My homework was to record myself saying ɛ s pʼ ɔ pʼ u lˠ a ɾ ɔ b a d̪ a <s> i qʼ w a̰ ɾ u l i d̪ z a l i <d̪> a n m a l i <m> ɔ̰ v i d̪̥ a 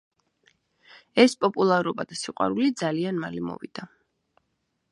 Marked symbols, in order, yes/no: yes, no, yes

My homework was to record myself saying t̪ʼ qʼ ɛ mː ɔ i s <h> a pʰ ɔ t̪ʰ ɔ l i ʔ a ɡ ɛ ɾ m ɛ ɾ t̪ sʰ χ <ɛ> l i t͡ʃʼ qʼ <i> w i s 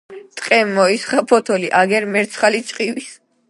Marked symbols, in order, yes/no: no, no, yes

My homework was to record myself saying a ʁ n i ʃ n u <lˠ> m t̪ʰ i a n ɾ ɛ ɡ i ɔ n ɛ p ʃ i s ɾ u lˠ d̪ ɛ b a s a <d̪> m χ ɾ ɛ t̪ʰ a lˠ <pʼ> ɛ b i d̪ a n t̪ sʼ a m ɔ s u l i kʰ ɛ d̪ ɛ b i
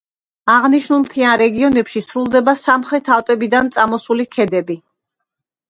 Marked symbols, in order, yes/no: yes, no, yes

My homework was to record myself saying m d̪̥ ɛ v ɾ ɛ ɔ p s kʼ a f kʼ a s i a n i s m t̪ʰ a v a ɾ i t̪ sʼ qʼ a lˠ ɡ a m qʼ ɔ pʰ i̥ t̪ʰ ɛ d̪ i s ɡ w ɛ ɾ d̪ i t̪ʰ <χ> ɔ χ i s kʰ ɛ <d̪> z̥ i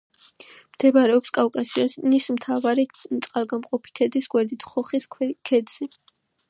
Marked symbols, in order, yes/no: yes, yes

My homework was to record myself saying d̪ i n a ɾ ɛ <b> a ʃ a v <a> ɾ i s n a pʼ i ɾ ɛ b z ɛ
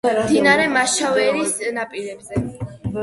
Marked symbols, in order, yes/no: no, no

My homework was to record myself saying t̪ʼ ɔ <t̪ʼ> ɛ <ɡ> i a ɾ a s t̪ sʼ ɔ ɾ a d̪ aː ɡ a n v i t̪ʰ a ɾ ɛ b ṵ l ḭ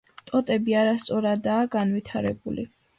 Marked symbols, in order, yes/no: yes, no

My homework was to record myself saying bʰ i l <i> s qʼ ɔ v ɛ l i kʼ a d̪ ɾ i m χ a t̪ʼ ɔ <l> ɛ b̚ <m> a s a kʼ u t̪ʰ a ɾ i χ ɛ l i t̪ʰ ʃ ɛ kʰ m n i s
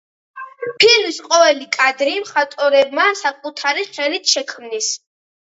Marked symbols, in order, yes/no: yes, no, yes

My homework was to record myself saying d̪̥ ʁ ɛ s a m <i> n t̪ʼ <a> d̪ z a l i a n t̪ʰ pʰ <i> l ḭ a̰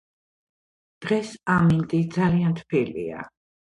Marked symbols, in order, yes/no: yes, no, yes

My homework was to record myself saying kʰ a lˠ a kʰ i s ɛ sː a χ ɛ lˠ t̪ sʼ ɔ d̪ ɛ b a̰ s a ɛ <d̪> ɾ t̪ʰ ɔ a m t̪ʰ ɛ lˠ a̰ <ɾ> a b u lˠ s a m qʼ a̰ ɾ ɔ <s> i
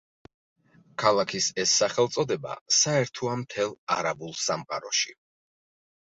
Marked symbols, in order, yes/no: no, yes, no

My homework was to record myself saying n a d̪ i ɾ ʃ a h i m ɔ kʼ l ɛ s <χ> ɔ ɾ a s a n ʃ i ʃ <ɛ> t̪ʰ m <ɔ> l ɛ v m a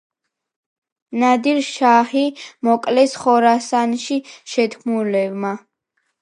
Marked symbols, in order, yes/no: yes, yes, no

